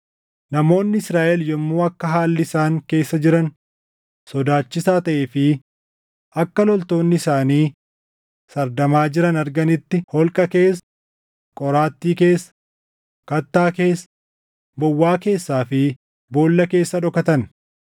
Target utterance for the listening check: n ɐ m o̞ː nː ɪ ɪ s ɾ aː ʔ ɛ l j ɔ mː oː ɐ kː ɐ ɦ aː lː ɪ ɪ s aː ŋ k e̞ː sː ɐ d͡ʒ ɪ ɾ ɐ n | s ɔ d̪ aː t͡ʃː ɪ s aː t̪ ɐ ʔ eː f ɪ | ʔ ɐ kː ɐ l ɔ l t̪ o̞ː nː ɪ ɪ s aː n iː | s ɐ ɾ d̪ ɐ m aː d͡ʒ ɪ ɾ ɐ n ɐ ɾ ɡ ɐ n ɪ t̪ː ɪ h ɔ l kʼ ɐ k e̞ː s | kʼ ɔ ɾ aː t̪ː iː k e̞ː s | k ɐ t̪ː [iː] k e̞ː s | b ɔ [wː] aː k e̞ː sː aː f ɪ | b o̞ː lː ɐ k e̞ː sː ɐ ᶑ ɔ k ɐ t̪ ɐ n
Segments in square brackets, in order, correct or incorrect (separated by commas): incorrect, correct